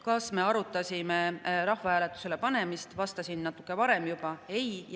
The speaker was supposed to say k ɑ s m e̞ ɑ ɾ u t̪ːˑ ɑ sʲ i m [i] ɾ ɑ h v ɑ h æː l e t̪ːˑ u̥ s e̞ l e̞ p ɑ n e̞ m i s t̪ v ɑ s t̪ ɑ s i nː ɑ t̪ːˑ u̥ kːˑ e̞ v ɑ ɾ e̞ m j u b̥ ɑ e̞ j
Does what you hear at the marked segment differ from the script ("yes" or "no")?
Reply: yes